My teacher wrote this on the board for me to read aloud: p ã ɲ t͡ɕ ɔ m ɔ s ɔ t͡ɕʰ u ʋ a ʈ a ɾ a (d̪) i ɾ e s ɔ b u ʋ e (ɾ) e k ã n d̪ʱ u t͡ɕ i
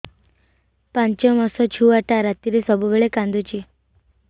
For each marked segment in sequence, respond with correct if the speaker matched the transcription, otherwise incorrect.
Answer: incorrect: t̪, incorrect: ɭ

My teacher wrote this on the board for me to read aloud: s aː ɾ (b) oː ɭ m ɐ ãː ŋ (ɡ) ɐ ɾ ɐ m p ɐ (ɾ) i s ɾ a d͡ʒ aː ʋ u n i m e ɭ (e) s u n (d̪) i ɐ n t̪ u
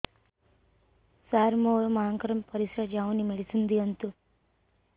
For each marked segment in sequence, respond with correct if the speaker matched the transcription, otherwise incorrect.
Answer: incorrect: m, incorrect: k, correct, incorrect: i, correct

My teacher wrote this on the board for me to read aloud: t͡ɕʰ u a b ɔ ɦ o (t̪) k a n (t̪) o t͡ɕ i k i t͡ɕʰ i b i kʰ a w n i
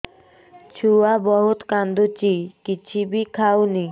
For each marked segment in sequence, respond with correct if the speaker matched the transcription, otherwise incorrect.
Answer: correct, incorrect: d̪

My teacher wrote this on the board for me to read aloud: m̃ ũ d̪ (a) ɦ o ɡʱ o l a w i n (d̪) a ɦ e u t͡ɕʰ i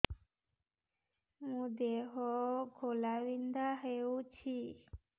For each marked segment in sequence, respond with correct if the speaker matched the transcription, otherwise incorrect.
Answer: incorrect: e, correct

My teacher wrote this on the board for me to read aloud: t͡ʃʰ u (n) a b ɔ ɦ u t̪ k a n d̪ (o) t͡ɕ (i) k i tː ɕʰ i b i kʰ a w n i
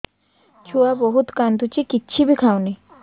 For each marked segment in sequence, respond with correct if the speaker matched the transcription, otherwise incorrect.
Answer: incorrect: none, incorrect: u, correct

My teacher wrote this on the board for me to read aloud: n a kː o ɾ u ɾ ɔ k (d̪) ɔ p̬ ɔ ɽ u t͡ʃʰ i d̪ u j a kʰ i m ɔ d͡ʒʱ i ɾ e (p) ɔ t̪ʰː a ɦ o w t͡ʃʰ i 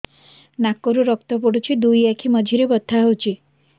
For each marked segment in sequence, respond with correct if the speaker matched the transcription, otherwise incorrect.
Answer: incorrect: t̪, incorrect: b

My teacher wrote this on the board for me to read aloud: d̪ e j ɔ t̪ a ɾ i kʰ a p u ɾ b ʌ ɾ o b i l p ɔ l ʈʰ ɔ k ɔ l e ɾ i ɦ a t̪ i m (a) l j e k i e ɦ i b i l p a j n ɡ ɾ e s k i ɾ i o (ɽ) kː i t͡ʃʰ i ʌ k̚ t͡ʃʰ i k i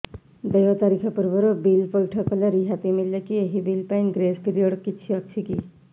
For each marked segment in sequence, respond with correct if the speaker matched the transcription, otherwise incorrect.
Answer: incorrect: i, correct

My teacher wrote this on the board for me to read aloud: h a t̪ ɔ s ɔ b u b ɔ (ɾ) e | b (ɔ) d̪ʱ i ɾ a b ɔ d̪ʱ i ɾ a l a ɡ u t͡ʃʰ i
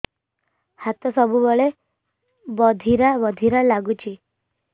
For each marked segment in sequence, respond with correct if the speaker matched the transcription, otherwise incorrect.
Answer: incorrect: ɭ, correct

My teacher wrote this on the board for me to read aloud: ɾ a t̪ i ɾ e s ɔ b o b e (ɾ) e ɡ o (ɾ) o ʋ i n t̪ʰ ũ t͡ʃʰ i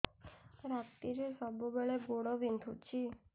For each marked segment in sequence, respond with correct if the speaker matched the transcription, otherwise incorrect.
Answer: incorrect: ɭ, incorrect: ɽ

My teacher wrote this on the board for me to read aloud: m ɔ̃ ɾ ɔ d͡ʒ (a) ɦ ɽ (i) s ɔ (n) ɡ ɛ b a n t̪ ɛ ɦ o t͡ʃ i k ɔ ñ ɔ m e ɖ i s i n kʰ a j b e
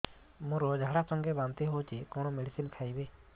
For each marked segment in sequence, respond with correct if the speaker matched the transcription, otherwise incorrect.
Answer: correct, incorrect: a, incorrect: ŋ

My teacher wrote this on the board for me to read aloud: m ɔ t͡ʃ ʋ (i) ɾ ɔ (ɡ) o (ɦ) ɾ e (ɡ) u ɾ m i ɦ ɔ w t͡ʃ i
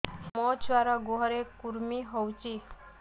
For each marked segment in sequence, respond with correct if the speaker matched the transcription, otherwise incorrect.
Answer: incorrect: a, correct, correct, incorrect: k

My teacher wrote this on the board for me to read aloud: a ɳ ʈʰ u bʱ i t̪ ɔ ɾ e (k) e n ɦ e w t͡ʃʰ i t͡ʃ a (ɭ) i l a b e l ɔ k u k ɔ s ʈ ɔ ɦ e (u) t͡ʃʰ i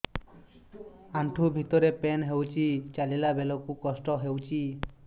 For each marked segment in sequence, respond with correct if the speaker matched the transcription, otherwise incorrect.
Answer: incorrect: p, incorrect: l, incorrect: w

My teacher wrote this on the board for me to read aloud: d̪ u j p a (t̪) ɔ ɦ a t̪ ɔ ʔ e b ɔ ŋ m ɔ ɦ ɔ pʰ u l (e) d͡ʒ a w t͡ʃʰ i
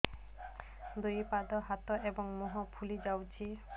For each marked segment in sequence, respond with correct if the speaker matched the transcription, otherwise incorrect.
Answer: incorrect: d̪, incorrect: i

